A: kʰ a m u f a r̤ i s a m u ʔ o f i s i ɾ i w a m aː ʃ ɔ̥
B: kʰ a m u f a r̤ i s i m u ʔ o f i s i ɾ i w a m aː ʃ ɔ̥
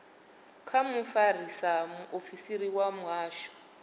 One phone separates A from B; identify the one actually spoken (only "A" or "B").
A